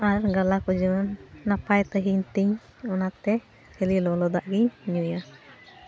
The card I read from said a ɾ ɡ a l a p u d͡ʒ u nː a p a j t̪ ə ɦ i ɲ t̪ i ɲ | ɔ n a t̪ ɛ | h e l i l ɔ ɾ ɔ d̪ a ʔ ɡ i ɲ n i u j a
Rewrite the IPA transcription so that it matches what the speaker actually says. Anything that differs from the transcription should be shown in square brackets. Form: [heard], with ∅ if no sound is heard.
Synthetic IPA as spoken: a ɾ ɡ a l a [k] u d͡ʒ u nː a p a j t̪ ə ɦ i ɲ t̪ i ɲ | ɔ n a t̪ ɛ | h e l i l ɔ [l] ɔ d̪ a ʔ ɡ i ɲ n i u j a